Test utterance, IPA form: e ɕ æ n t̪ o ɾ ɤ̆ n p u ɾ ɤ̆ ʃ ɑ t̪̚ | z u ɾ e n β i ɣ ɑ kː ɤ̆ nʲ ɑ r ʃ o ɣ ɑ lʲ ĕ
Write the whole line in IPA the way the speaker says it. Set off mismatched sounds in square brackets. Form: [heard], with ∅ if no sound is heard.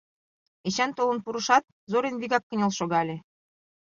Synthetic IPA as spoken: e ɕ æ n t̪ o [l] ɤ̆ n p u ɾ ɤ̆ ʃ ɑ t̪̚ | z [o] ɾ e n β i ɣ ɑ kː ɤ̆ nʲ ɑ [l] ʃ o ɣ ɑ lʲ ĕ